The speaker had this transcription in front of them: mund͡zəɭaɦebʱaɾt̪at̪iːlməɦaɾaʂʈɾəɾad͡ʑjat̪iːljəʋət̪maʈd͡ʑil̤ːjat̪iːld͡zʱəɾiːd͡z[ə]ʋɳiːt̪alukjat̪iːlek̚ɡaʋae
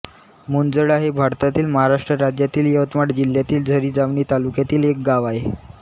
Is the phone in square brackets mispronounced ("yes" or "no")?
yes